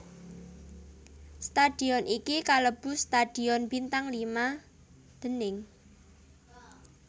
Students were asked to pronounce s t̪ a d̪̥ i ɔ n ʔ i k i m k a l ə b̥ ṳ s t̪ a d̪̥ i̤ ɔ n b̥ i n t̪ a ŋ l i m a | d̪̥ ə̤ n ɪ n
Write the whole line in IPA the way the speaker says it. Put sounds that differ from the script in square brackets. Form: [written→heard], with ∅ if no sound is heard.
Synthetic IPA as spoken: s t̪ a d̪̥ i ɔ n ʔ i k i [m→∅] k a l ə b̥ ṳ s t̪ a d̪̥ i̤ ɔ n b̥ i n t̪ a ŋ l i m a | d̪̥ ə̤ n ɪ [n→ŋ]